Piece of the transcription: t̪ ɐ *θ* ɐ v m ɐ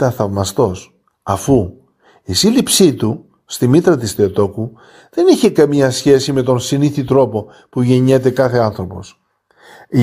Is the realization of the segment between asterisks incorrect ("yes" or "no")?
no